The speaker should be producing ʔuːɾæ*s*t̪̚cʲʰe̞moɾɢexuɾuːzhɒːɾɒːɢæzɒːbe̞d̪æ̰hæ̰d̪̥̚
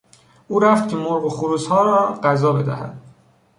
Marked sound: incorrect: f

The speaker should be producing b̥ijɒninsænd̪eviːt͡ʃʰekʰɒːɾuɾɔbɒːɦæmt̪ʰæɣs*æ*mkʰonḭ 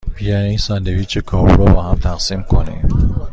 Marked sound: incorrect: i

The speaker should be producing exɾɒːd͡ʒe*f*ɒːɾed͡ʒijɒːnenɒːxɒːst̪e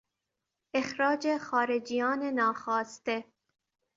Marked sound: incorrect: x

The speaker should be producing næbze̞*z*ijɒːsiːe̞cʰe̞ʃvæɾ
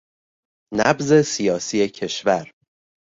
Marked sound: incorrect: s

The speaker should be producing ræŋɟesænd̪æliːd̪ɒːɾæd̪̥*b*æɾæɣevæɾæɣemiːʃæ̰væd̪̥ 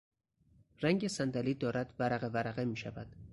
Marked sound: incorrect: v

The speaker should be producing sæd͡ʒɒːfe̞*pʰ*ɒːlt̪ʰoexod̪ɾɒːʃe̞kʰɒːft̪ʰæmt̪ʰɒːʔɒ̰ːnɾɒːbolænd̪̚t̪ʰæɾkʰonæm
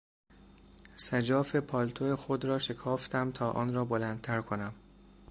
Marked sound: correct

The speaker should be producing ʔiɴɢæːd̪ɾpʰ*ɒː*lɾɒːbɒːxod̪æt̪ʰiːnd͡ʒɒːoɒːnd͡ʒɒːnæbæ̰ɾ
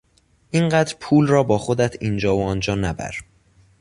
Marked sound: incorrect: uː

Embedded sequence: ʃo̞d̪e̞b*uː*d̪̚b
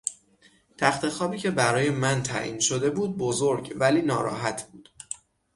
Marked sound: correct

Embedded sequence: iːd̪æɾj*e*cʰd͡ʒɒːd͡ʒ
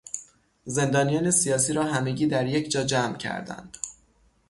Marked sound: correct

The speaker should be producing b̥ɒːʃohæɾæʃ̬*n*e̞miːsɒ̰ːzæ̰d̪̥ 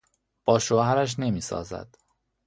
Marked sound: correct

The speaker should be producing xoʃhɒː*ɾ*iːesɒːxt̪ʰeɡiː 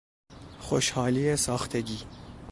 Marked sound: incorrect: l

